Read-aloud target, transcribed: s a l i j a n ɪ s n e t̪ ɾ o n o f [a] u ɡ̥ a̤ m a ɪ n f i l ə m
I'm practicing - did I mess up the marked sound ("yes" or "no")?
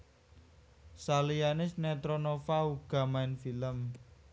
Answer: no